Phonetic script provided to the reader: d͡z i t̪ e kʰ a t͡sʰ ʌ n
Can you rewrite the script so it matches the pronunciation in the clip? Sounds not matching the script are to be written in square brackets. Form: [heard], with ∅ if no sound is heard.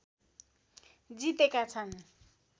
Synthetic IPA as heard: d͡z i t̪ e [k] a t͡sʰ [a] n